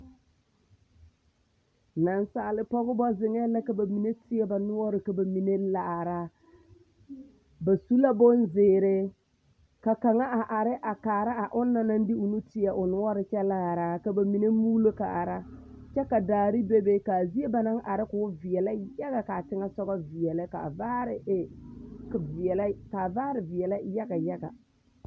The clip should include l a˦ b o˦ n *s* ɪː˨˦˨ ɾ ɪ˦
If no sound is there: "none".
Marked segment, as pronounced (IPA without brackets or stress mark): z